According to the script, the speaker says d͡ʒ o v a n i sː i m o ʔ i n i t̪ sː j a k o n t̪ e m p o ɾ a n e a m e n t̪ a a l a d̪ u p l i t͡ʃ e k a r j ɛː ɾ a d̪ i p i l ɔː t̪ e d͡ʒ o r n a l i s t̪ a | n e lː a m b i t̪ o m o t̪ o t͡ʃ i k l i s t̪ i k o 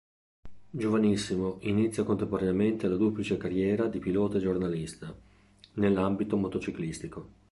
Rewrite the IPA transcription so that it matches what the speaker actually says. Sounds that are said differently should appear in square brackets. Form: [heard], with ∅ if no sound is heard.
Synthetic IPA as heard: d͡ʒ o v a n i sː i m o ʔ i n i t̪ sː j a k o n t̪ e m p o ɾ a n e a m e n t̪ [e] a l a d̪ u p l i t͡ʃ e k a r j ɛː ɾ a d̪ i p i l ɔː t̪ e d͡ʒ o r n a l i s t̪ a | n e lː a m b i t̪ o m o t̪ o t͡ʃ i k l i s t̪ i k o